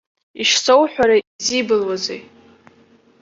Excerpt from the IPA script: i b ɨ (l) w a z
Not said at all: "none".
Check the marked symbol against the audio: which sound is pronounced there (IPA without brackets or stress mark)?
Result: l